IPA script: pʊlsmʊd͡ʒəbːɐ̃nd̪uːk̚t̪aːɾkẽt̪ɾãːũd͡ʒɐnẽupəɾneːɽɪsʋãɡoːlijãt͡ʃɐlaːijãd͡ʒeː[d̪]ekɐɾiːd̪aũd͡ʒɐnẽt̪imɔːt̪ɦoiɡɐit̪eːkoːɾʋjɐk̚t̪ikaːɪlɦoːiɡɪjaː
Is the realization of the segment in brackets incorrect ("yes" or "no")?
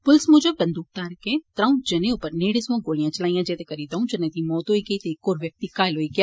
yes